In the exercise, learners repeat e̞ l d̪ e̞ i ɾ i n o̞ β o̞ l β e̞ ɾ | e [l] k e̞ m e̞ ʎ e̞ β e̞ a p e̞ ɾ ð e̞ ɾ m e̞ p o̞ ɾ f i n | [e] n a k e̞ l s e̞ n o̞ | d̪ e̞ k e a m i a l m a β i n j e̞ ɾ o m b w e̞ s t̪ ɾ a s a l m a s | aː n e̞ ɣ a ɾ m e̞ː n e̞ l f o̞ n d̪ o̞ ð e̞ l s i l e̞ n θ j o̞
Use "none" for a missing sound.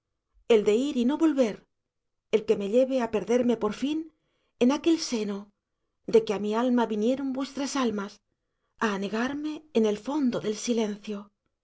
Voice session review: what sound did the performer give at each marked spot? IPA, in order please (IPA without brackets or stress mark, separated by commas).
l, e